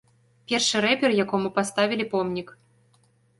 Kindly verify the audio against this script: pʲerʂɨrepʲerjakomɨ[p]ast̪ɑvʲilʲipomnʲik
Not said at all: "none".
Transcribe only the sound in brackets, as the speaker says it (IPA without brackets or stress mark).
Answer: p